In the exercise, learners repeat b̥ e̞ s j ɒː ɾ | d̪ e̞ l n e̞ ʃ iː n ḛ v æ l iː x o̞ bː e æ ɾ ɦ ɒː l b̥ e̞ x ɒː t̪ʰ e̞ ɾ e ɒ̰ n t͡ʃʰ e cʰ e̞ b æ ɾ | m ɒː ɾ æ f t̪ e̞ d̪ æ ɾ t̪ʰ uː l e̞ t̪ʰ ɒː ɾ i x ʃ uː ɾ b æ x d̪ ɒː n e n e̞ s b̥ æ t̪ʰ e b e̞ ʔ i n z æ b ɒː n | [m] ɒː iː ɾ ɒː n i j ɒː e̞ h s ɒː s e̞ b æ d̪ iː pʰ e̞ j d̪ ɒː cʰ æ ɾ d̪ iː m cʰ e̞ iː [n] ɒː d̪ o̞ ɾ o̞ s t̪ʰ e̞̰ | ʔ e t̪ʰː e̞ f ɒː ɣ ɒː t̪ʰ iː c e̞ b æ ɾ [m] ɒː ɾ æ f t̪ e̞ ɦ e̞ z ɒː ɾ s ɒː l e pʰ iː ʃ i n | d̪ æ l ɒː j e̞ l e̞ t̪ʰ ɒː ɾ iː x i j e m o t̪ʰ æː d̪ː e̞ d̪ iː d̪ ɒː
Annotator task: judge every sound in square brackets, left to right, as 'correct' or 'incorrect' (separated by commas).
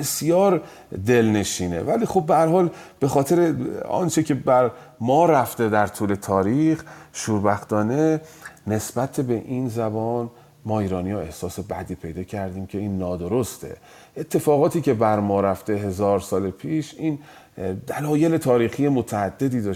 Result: correct, incorrect, correct